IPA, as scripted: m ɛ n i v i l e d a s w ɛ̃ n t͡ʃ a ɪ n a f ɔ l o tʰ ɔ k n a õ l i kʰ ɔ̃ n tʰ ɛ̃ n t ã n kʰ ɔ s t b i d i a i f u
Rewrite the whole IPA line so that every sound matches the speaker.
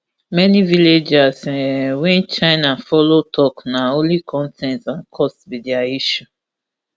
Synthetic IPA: m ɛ n i v i l e d͡ʒ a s w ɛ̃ n t͡ʃ a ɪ n a f ɔ l o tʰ ɔ k n a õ l i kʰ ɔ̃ n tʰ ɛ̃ n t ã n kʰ ɔ s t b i d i a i ʃ u